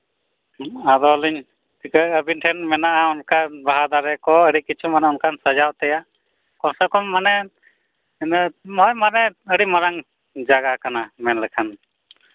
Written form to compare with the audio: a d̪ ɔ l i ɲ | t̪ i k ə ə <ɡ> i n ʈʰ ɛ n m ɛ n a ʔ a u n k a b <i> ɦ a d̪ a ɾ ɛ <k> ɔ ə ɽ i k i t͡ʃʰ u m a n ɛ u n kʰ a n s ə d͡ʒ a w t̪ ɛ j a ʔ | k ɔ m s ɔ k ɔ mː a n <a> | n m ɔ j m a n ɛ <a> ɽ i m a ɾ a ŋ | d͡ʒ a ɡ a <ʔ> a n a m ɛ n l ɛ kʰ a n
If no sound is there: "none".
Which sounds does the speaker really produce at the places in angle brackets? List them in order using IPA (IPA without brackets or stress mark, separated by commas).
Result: b, a, k, ɛ, ə, k